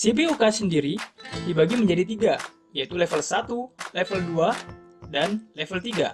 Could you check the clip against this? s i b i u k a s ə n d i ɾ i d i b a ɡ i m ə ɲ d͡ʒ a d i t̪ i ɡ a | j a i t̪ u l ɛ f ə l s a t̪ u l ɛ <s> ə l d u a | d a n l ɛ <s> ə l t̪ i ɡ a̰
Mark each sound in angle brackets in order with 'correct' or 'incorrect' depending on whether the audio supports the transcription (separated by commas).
incorrect, incorrect